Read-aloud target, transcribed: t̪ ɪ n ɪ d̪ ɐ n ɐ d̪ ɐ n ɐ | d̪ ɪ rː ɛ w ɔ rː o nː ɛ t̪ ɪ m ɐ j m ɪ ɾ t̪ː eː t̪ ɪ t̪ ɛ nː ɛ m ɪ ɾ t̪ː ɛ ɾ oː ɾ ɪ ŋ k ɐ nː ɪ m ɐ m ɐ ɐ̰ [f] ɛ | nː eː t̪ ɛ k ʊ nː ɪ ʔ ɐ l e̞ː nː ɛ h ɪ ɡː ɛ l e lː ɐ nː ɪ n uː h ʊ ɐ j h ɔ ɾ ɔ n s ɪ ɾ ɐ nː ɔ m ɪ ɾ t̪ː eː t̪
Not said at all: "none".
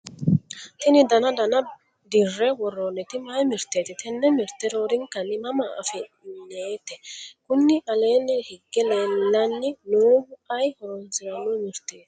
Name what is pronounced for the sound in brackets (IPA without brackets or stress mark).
f